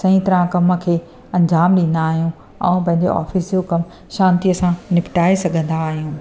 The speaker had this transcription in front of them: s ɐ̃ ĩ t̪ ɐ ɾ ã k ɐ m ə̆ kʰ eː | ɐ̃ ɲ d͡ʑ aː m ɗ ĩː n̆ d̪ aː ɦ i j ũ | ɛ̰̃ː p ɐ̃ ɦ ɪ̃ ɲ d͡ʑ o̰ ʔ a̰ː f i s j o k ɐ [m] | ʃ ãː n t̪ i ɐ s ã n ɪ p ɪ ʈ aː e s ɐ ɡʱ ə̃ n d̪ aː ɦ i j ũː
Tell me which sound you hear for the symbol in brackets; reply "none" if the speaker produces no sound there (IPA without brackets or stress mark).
m